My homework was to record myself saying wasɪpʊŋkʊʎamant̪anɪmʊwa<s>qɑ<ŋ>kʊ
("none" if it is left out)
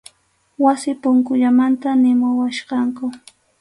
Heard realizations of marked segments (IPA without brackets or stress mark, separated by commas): ʃ, ŋ